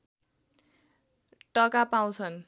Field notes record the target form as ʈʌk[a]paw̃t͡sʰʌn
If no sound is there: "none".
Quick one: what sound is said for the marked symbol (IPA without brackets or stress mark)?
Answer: a